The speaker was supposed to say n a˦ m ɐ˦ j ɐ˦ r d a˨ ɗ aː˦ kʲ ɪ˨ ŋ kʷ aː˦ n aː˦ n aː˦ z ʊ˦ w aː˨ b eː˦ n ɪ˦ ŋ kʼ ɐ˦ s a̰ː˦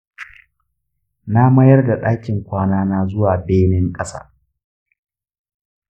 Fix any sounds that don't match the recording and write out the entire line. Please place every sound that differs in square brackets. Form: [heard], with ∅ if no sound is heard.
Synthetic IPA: n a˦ m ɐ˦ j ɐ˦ r d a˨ ɗ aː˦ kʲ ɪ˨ ŋ kʷ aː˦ n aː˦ n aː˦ z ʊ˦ w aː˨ b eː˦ n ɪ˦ ŋ kʼ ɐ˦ s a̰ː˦